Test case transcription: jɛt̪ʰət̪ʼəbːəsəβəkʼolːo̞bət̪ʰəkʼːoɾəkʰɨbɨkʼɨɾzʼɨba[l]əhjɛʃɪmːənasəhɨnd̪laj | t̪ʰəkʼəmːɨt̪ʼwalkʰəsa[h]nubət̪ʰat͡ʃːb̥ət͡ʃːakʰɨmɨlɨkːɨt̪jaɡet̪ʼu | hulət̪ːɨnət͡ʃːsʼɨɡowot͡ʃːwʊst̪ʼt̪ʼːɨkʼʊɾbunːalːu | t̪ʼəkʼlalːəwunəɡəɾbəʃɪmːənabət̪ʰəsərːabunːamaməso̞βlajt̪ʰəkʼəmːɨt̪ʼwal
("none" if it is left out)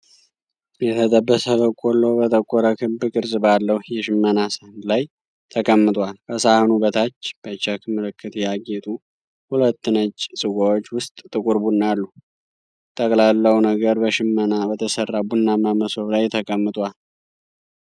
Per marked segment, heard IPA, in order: lː, h

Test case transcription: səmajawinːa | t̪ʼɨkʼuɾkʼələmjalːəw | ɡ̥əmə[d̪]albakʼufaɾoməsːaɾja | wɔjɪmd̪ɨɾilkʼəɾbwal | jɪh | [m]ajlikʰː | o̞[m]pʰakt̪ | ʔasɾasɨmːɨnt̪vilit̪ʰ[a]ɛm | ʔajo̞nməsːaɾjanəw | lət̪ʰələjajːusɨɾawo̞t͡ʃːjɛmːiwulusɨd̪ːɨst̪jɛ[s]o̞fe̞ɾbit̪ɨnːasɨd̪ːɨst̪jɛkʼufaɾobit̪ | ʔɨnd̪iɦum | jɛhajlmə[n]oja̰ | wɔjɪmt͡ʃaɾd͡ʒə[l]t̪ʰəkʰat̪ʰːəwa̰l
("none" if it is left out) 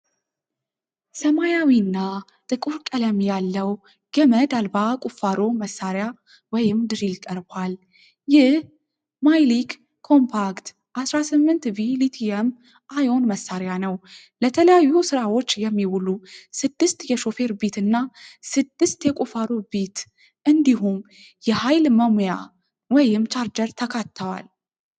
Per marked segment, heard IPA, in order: d̪, m, m, i, ʃ, m, ɾ

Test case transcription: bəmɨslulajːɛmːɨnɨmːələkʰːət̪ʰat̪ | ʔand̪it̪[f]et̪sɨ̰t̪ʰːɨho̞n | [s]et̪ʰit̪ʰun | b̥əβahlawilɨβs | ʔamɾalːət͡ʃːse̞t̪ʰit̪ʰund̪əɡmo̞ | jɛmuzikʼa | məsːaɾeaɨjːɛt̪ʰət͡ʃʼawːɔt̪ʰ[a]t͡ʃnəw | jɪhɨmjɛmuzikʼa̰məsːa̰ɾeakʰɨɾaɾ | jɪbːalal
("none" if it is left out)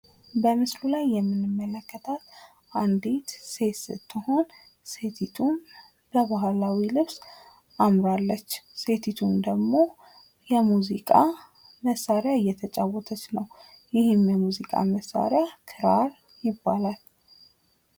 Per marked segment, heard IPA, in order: s, s, ə

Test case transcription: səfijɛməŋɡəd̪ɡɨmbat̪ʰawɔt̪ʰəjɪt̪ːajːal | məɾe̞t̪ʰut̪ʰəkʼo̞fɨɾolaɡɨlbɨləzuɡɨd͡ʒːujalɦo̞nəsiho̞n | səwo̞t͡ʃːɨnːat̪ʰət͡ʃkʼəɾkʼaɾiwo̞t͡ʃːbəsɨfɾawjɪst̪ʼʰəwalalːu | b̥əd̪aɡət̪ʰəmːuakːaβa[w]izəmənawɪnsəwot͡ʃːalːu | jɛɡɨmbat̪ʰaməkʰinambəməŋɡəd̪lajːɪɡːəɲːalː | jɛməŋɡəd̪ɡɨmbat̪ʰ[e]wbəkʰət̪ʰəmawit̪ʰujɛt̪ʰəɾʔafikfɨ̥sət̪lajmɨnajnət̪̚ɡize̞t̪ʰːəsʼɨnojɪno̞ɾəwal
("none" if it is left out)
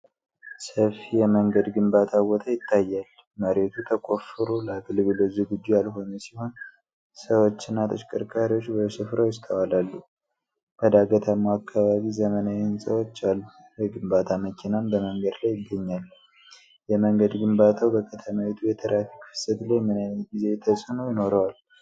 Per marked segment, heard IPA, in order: β, a

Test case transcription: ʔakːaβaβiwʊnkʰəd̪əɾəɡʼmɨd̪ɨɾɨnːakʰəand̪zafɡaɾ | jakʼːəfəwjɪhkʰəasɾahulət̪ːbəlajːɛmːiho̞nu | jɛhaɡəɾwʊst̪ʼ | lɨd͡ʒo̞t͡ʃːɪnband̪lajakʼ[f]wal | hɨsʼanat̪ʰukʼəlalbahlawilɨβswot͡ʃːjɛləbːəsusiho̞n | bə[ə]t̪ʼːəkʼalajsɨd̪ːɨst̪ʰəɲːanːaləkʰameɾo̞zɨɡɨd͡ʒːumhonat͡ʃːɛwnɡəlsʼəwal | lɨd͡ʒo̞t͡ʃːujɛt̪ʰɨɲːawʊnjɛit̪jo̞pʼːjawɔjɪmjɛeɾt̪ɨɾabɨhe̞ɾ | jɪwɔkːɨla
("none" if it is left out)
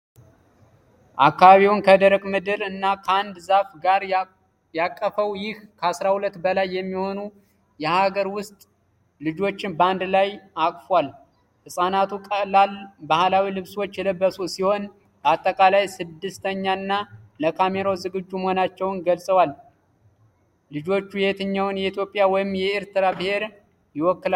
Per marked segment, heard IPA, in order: f, a

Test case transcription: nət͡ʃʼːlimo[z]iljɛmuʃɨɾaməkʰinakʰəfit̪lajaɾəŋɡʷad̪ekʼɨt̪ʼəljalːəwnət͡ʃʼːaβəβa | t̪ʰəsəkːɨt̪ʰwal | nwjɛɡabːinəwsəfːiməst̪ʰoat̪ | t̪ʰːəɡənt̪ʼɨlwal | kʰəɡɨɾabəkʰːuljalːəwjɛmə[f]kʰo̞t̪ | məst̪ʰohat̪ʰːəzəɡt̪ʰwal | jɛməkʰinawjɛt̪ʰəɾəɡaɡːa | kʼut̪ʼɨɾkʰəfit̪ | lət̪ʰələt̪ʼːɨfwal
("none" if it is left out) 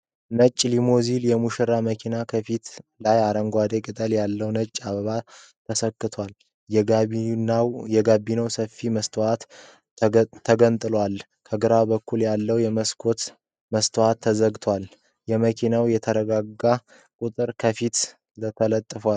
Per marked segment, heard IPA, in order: z, s

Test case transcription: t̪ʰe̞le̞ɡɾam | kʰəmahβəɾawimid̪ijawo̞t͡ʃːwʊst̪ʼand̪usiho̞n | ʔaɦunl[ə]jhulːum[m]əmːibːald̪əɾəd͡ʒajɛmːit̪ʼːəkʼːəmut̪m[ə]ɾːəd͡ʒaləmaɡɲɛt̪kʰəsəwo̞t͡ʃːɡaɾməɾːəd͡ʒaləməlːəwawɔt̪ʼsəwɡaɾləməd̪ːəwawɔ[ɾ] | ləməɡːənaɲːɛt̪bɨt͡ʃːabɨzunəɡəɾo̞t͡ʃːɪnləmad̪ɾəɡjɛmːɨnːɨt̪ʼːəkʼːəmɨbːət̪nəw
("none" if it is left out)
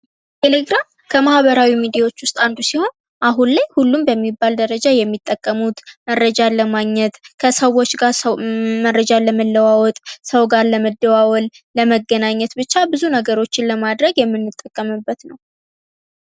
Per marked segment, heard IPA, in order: a, b, ə, l

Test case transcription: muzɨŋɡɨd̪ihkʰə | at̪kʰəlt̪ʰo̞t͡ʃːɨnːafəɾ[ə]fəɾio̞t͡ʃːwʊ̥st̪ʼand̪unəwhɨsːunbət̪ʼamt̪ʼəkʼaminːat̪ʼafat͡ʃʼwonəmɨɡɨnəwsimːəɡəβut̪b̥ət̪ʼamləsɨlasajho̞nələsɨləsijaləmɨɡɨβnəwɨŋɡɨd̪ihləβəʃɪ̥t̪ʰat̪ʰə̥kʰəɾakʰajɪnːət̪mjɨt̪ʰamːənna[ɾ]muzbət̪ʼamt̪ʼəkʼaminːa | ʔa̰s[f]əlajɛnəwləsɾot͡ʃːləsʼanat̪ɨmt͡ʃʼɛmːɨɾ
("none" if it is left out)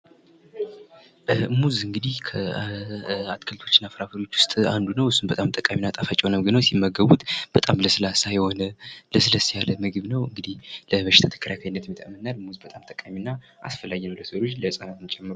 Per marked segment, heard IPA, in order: a, l, f

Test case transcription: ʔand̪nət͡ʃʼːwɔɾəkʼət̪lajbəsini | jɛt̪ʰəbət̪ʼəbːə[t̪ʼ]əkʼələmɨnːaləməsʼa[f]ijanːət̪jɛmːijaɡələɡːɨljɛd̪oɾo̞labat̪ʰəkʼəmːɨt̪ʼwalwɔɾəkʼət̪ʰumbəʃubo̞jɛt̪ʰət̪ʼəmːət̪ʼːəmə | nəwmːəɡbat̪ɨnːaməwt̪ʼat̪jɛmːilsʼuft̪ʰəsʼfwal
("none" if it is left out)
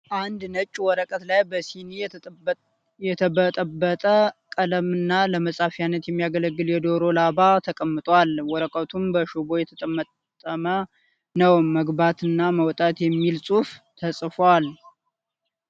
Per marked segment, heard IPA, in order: t̪ʼ, f

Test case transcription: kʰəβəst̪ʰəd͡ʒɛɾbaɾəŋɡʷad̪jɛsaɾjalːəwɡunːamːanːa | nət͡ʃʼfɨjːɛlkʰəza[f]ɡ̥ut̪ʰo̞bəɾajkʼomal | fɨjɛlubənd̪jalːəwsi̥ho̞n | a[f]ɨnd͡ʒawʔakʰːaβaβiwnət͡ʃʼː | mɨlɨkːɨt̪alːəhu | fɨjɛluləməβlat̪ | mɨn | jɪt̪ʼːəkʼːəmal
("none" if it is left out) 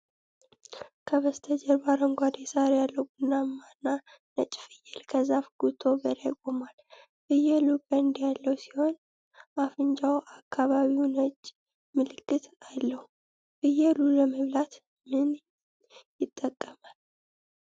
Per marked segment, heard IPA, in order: f, f

